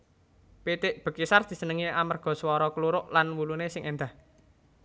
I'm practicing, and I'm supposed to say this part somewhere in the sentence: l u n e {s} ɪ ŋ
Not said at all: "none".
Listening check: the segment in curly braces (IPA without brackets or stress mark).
s